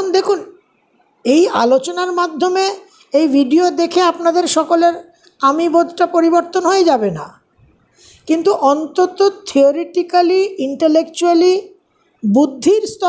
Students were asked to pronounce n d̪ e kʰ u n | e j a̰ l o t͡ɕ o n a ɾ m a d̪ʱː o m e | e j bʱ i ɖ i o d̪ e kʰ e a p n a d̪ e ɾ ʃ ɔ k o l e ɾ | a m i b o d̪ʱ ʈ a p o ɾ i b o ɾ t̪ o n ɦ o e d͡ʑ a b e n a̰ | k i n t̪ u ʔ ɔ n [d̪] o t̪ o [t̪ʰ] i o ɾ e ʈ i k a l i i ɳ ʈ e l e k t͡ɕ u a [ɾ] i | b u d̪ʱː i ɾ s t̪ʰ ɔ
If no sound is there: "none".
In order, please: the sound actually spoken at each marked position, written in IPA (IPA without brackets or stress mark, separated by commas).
t̪, t̪ʰ, l